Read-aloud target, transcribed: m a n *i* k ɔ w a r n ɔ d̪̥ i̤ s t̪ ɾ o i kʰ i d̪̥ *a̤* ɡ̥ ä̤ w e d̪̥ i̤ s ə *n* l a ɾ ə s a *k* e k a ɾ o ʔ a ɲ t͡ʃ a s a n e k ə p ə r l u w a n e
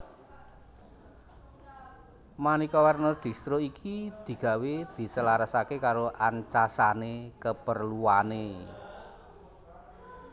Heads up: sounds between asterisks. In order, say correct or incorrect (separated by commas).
correct, incorrect, incorrect, correct